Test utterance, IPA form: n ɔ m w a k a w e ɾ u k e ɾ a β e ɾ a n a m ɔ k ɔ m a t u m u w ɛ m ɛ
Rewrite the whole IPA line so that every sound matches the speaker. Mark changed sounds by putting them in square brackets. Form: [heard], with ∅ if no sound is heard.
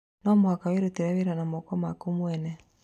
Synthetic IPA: n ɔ m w a k a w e ɾ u [t] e ɾ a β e ɾ a n a m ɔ k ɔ m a [k] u m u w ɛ [n] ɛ